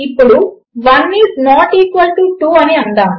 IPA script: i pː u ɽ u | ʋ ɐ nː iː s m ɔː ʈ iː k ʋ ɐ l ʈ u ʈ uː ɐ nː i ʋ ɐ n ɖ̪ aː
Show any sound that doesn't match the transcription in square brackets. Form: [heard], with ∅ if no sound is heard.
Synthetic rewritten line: i pː u ɽ u | ʋ ɐ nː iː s [n] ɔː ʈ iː k ʋ ɐ l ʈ u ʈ uː ɐ [n] i [∅] ɐ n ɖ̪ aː